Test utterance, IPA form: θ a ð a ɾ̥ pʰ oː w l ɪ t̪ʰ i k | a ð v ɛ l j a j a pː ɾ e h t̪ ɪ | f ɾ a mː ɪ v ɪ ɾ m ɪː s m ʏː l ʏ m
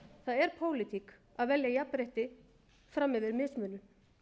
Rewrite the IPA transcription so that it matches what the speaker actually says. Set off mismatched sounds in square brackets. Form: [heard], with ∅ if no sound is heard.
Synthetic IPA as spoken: θ a ð [ɛ] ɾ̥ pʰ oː w l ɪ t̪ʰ i k | a ð v ɛ l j a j a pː ɾ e h t̪ ɪ | f ɾ a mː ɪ v ɪ ɾ m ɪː s m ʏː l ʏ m

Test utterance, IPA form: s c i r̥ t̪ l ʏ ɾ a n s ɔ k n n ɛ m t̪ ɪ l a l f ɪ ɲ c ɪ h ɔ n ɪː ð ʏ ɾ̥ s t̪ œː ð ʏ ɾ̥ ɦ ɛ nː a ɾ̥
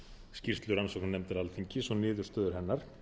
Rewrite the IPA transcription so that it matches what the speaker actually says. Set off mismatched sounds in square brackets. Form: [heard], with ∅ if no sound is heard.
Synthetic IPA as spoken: s c i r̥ t̪ l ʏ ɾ a n s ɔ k n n ɛ m t̪ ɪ [ɾ] a l f [i] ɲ c ɪ [s] ɔ n ɪː ð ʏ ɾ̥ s t̪ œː ð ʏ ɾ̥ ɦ ɛ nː a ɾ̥

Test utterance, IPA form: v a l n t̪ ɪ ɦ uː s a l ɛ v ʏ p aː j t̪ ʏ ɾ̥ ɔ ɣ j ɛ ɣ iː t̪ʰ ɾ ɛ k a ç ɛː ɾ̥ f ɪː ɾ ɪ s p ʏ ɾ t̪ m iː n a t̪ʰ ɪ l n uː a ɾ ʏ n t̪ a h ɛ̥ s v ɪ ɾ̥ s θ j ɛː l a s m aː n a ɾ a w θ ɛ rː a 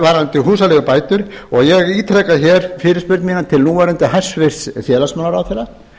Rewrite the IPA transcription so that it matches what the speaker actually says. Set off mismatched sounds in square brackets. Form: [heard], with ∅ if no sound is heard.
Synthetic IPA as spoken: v a [ɾ] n t̪ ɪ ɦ uː s a l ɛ [ɣ] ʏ p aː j t̪ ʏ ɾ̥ ɔ ɣ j ɛ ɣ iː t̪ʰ ɾ ɛ k a ç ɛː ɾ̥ f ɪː ɾ ɪ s p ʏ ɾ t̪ m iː n a t̪ʰ ɪ l n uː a ɾ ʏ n t̪ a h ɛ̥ s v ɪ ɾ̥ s θ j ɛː l a s m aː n a ɾ a w θ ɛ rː a

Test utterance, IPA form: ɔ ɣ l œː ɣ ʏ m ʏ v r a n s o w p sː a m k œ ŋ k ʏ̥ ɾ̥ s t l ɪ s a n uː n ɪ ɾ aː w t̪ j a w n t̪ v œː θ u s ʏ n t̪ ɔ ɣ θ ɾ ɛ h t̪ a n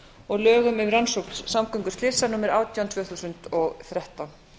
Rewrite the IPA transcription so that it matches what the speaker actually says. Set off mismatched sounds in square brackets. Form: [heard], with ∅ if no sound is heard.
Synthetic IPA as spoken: ɔ ɣ l œː ɣ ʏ m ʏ v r a n s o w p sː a m k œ ŋ k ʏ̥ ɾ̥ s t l ɪ s a n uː [m] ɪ ɾ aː w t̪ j a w n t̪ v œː θ u s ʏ n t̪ ɔ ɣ θ ɾ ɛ h t̪ a n

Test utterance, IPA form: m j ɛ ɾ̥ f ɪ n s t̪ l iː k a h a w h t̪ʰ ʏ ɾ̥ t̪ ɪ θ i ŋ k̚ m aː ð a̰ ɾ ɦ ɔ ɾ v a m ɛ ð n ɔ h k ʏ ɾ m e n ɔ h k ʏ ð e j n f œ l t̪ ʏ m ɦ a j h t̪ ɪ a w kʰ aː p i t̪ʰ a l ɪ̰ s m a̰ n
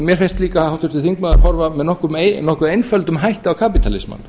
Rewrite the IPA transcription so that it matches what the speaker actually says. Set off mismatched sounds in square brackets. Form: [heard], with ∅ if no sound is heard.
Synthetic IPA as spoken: m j ɛ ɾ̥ f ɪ n s t̪ l iː k a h a w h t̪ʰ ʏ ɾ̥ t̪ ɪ θ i ŋ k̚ m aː ð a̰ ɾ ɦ ɔ ɾ v a m ɛ ð n ɔ h k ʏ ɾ m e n ɔ h k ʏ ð e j n f œ l t̪ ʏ m ɦ a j h t̪ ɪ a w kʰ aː p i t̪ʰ a l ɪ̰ s m a̰ n

